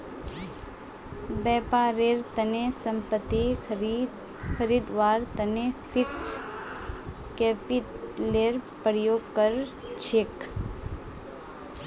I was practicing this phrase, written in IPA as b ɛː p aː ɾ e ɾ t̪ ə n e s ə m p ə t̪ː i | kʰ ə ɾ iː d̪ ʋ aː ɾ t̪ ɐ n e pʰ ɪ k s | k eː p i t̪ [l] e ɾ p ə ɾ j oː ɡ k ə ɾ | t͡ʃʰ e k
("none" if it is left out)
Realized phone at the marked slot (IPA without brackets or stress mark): l